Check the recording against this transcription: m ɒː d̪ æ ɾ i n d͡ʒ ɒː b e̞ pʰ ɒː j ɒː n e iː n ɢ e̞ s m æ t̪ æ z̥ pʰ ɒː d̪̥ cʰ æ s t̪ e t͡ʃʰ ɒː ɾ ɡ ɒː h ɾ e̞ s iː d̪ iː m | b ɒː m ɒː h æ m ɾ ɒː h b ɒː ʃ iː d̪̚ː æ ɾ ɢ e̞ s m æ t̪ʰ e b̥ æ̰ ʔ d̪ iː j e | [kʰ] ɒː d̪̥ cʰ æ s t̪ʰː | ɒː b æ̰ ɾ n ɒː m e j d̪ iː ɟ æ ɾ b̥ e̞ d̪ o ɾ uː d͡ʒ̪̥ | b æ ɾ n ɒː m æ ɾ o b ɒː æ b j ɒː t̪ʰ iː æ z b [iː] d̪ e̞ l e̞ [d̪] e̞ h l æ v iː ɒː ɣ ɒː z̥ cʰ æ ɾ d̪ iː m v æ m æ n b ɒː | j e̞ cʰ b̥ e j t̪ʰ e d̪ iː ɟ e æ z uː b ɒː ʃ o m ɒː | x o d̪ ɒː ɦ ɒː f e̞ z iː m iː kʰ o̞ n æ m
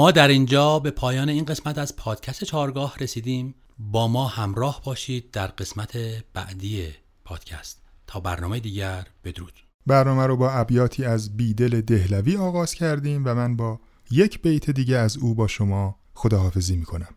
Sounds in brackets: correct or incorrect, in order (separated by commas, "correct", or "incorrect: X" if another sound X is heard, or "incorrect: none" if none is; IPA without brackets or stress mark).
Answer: incorrect: pʰ, correct, correct